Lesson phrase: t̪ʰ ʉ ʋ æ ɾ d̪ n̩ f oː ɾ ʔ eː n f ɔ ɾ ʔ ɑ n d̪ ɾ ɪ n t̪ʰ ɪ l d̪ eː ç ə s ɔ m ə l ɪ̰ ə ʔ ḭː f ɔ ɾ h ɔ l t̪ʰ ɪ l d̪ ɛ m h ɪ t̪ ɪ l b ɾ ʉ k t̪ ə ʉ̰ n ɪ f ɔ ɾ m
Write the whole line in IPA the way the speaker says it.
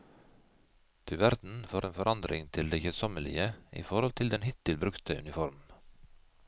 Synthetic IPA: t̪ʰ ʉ ʋ æ ɾ d̪ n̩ f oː ɾ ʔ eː n f ɔ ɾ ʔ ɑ n d̪ ɾ ɪ ŋ t̪ʰ ɪ l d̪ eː ç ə s ɔ m ə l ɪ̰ ə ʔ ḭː f ɔ ɾ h ɔ l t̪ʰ ɪ l d̪ ɛ n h ɪ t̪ ɪ l b ɾ ʉ k t̪ ə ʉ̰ n ɪ f ɔ ɾ m